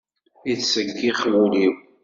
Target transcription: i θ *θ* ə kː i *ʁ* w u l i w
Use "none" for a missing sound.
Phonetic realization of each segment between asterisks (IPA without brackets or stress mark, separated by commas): s, χ